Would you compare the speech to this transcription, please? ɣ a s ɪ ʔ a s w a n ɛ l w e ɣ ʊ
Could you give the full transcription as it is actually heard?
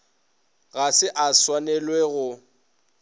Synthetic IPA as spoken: ɣ a s ɪ ʔ a s w a n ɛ l w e ɣ ʊ

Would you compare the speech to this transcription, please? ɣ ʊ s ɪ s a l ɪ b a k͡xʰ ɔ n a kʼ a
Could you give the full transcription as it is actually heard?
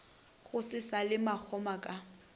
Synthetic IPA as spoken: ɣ ʊ s ɪ s a l ɪ m a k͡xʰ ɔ m a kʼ a

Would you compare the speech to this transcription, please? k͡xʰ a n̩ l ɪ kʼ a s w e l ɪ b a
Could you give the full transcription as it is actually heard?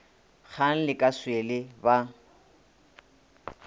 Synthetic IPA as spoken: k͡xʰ a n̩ l ɪ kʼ a s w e l ɪ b a

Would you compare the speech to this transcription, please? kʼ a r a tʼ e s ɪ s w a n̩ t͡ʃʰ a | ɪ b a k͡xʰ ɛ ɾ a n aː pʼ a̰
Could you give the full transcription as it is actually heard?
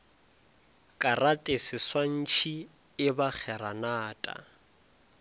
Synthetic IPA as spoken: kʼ a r a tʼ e s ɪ s w a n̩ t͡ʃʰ i | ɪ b a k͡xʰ ɛ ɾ a n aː tʼ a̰

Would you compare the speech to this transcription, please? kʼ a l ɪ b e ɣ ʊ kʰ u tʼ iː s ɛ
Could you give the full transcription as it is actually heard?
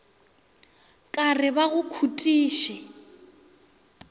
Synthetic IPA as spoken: kʼ a r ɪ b a ɣ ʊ kʰ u tʼ iː ʃ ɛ

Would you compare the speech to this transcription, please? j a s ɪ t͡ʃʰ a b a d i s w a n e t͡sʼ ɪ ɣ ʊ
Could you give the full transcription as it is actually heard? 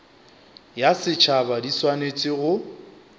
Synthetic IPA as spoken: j a s ɪ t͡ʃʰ a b a d i s w a n e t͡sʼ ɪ ɣ ʊ

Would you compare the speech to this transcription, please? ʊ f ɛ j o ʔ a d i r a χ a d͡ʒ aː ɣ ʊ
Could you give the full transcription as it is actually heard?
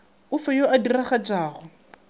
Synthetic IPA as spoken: ʊ f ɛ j o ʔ a d i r a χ a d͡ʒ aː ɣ ʊ

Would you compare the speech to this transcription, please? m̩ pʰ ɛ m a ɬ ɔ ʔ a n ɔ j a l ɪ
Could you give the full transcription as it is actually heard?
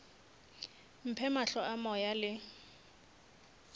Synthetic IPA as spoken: m̩ pʰ ɛ m a ɬ ɔ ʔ a m ɔ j a l ɪ

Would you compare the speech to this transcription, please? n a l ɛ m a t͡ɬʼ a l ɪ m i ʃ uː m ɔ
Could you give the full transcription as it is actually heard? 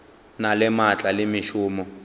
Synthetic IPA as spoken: n a l ɛ m a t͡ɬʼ a l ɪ m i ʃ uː m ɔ

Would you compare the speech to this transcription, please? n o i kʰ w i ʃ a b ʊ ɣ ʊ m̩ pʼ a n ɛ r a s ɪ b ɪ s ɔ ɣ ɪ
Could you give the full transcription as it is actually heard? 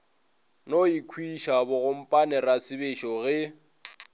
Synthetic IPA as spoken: n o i kʰ w i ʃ a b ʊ ɣ ʊ m̩ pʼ a n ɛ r a s ɪ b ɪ ʃ ɔ ɣ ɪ

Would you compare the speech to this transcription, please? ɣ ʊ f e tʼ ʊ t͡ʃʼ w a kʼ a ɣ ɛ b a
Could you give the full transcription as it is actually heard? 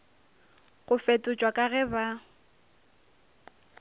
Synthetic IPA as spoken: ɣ ʊ f e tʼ ʊ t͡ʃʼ w a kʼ a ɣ ɛ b a

